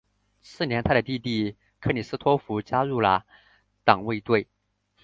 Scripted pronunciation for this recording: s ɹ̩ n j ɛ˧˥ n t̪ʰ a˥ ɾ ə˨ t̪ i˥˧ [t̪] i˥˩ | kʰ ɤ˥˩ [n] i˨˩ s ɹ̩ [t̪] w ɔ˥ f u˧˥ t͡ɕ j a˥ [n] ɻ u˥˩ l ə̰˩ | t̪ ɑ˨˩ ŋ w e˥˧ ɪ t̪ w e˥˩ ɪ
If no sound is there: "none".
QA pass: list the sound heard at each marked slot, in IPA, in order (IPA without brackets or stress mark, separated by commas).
t̪, n, t̪ʰ, none